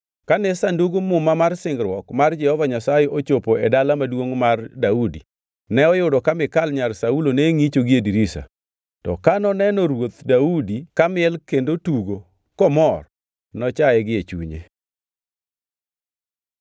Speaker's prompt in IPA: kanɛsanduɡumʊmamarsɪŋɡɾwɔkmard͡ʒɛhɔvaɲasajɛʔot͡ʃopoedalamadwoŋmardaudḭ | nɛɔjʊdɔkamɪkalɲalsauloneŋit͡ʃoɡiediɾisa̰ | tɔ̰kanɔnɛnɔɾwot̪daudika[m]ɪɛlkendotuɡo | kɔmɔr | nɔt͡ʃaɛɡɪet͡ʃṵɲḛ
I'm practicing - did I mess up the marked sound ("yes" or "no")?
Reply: no